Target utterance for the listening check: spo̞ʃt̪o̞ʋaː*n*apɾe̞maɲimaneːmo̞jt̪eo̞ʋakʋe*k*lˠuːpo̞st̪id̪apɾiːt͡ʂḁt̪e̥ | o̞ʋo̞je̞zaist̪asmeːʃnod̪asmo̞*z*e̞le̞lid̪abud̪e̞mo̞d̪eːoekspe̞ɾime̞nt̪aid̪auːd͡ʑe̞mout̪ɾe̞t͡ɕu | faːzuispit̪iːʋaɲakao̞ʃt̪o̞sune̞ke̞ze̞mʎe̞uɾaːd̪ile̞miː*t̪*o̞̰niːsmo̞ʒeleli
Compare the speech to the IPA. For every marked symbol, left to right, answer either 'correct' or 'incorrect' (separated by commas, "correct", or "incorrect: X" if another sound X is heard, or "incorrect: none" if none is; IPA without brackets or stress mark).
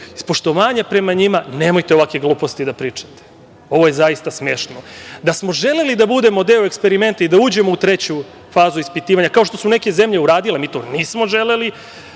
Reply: incorrect: ɲ, incorrect: ɡ, incorrect: ʒ, correct